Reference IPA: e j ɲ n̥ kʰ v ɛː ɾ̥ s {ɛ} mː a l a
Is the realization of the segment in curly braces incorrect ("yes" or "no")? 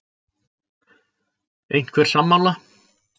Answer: yes